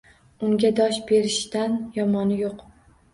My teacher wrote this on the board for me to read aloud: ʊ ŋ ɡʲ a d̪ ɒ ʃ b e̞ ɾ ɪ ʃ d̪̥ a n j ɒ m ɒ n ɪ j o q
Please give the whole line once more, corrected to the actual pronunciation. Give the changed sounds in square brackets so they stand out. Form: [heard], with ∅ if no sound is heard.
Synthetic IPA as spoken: ʊ ŋ ɡʲ a d̪ ɒ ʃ b e̞ ɾ ɪ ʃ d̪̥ a n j ɒ m ɒ n ɪ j o q